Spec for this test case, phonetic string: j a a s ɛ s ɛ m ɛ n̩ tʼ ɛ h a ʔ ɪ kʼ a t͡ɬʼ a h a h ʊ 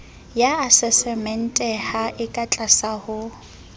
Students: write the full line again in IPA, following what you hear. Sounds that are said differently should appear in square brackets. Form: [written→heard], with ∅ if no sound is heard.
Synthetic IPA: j a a s ɛ s ɛ m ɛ n̩ tʼ ɛ h a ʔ ɪ kʼ a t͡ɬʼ a [h→s] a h ʊ